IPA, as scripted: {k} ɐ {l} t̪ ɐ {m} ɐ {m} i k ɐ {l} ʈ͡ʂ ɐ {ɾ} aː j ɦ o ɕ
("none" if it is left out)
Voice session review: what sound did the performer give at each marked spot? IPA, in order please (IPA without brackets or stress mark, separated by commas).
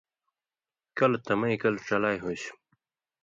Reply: k, l, m, none, l, l